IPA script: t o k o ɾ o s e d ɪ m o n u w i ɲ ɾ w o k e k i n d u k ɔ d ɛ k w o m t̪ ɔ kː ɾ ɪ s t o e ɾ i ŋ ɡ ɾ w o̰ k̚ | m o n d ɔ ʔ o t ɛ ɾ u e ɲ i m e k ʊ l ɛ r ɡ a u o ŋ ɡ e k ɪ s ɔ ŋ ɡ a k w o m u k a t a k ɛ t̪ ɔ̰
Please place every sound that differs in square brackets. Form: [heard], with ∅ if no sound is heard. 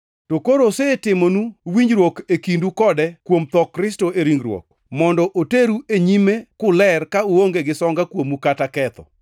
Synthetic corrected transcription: t o k o ɾ o s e [t] ɪ m o n u w i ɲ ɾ w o k e k i n d u k ɔ d ɛ k w o m t̪ ɔ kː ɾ ɪ s t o e ɾ i ŋ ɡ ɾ w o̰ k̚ | m [ɔ] n d ɔ ʔ o t [e] ɾ u e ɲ i m e k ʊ l ɛ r [k] a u o ŋ ɡ e [ɡ] ɪ s ɔ ŋ ɡ a k w o m u k a t a k ɛ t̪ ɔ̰